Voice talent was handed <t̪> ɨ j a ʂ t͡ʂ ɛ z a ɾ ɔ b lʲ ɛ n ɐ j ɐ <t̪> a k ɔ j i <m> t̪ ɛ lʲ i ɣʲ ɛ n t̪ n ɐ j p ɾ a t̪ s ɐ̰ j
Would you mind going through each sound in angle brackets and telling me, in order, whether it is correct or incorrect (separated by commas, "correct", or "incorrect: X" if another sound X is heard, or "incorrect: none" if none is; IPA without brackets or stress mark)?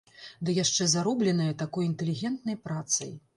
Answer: incorrect: d̪, correct, incorrect: n